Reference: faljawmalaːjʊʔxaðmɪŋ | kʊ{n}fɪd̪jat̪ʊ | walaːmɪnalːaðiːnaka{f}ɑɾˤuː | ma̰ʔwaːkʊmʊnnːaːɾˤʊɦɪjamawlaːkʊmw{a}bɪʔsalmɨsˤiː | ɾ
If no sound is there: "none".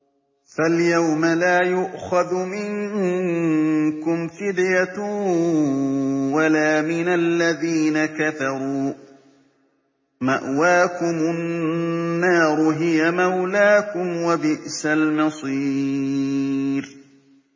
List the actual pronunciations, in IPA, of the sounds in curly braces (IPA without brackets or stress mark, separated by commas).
m, θ, a